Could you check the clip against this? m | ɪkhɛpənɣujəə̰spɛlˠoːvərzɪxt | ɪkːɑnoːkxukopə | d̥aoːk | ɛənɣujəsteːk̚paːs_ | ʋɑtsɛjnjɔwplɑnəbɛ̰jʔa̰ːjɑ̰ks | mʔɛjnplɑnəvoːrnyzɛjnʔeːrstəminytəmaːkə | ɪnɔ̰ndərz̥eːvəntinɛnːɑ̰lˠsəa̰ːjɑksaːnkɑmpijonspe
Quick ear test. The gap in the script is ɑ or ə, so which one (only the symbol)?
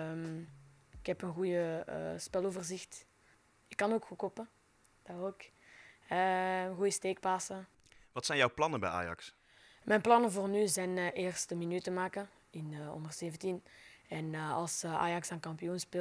ə